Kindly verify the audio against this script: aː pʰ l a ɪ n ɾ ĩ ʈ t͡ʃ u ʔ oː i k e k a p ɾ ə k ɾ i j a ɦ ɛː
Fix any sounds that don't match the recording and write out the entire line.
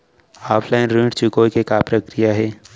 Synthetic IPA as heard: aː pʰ l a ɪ n ɾ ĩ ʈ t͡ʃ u k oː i k e k a p ɾ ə k ɾ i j a ɦ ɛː